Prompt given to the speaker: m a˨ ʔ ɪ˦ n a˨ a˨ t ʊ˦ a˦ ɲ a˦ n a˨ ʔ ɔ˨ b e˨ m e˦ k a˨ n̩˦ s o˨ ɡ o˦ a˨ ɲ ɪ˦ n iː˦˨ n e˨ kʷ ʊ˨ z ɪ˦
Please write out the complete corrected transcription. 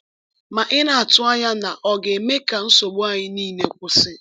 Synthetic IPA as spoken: m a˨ ʔ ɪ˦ n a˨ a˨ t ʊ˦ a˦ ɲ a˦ n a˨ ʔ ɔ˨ ɡ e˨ m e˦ k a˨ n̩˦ s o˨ ɡ͡b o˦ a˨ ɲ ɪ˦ n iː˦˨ n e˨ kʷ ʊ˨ s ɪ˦